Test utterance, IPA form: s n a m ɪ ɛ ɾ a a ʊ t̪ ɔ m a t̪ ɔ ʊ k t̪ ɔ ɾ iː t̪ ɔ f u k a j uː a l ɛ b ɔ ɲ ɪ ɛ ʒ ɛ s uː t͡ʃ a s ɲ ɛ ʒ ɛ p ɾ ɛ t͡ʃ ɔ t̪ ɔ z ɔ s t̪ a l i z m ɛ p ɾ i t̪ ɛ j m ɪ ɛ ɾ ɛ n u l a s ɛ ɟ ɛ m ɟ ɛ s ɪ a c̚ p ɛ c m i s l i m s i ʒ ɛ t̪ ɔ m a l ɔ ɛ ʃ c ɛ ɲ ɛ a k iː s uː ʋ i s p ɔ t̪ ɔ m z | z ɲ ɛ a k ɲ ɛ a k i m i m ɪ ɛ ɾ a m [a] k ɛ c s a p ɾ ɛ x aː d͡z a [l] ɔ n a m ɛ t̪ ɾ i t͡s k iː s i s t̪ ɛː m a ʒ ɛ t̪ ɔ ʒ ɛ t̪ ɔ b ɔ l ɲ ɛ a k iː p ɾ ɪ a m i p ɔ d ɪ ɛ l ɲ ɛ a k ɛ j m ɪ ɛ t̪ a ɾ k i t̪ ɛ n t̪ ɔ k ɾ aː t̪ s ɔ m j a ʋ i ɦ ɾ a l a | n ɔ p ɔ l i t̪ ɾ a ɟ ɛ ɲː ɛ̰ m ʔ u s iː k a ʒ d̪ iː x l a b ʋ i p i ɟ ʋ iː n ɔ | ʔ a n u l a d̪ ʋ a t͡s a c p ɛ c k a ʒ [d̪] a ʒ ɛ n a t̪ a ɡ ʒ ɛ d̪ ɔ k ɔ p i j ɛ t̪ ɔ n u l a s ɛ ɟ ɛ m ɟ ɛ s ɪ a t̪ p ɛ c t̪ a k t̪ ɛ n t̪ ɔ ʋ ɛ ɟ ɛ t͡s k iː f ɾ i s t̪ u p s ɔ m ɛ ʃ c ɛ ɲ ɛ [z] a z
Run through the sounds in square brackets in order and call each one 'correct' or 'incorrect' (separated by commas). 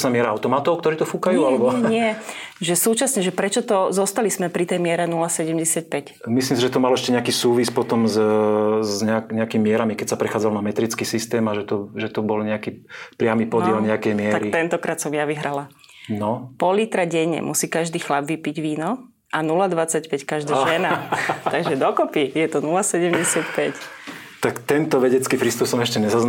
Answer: incorrect, correct, correct, correct